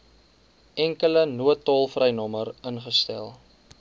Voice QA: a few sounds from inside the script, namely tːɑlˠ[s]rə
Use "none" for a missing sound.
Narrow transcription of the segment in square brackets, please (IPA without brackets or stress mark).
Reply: f